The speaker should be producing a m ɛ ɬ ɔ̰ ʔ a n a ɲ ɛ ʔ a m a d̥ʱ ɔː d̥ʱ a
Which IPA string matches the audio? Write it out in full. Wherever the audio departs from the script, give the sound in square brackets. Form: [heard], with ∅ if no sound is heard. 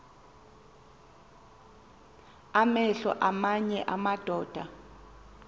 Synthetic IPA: a m ɛ ɬ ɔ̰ ʔ a [m] a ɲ ɛ ʔ a m a d̥ʱ ɔː d̥ʱ a